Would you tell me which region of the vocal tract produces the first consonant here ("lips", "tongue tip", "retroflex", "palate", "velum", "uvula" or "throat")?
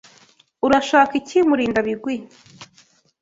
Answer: tongue tip